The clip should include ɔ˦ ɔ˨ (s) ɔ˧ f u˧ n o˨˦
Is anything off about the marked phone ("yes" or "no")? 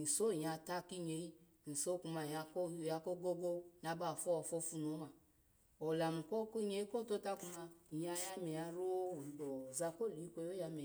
yes